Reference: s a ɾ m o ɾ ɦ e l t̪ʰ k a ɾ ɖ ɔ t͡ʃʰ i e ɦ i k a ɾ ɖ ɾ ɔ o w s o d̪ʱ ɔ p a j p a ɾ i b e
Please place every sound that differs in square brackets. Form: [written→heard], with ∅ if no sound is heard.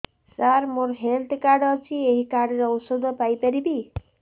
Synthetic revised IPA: s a ɾ m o ɾ ɦ e l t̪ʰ k a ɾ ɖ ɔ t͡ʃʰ i e ɦ i k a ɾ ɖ ɾ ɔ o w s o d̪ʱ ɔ p a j p a ɾ i b [e→i]